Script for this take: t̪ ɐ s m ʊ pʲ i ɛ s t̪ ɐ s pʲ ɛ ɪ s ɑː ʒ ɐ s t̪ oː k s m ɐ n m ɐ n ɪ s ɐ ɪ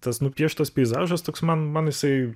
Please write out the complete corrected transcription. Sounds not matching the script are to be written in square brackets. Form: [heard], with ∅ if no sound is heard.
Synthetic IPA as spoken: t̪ ɐ s [n] ʊ pʲ i ɛ [ʃ] t̪ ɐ s pʲ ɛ ɪ [z] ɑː ʒ ɐ s t̪ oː k s m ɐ n m ɐ n ɪ s ɐ ɪ